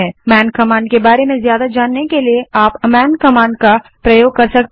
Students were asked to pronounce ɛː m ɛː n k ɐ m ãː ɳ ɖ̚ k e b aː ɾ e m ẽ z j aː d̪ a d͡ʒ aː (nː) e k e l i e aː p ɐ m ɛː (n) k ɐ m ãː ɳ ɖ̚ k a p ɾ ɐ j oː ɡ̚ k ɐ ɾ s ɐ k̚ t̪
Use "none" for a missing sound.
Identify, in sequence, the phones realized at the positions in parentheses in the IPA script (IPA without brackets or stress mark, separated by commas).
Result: nː, n